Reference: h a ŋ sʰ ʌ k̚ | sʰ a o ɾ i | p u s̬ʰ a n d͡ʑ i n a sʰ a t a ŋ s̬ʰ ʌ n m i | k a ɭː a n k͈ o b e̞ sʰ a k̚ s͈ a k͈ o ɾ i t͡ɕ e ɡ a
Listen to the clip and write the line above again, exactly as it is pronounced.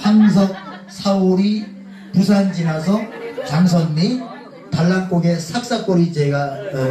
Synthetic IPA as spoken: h a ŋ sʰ ʌ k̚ | sʰ a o ɾ i | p u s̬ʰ a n d͡ʑ i n a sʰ ʌ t a ŋ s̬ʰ ʌ n m i | t a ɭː a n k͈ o ɡ e̞ sʰ a k̚ s͈ a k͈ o ɾ i t͡ɕ e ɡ a